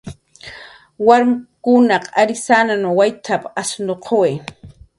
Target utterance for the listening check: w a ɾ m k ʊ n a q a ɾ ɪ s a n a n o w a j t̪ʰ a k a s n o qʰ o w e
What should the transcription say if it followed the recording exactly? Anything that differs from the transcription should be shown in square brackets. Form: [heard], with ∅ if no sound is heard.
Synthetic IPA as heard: w a ɾ m k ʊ n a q a ɾ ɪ s a n a n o w a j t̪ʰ a [p] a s n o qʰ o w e